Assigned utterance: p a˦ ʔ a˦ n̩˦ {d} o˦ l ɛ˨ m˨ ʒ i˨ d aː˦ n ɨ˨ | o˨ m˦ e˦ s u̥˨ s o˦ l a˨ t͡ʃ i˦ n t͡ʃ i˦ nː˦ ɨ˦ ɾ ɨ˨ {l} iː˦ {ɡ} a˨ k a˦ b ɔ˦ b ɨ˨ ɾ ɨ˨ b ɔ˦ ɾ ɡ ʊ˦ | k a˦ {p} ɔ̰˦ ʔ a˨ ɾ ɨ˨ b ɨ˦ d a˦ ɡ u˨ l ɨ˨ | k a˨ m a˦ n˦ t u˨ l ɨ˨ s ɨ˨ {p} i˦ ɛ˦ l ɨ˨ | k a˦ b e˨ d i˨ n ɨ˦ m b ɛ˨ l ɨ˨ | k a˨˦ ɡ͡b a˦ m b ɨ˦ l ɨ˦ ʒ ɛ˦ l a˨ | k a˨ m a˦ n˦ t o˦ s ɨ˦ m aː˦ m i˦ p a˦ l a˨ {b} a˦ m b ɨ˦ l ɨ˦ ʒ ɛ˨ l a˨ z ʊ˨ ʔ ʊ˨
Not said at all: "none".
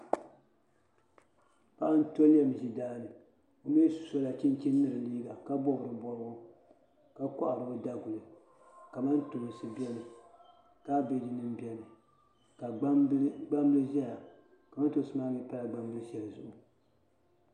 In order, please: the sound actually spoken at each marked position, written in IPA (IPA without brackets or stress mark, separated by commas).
t, l, b, k, b, ɡ͡b